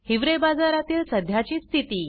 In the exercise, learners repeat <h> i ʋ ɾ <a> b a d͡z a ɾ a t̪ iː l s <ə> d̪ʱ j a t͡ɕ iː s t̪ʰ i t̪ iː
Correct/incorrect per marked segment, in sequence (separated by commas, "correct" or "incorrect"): correct, incorrect, correct